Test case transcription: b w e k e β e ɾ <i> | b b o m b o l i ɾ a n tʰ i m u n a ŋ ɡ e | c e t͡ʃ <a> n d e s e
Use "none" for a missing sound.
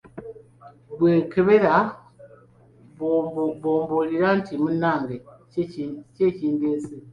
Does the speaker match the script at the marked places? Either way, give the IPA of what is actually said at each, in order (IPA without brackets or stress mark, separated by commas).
a, i